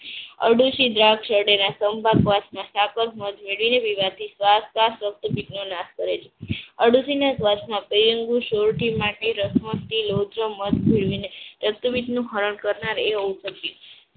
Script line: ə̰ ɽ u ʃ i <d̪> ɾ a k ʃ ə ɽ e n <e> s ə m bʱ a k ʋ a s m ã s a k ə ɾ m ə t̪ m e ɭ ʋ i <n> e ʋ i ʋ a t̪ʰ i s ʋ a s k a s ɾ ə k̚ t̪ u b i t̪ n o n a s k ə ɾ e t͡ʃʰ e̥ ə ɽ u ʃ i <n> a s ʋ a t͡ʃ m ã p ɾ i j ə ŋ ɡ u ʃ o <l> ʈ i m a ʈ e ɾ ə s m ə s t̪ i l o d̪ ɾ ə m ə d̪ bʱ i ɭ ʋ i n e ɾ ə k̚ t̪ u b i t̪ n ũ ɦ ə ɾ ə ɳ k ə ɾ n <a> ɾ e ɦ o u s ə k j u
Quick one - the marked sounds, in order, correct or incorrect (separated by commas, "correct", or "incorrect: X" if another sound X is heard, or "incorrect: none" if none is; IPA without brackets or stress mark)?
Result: correct, incorrect: a, correct, correct, incorrect: ɾ, correct